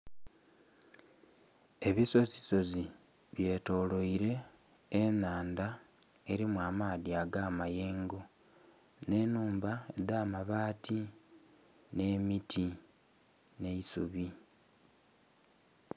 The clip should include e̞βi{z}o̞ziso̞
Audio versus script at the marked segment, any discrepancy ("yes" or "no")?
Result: yes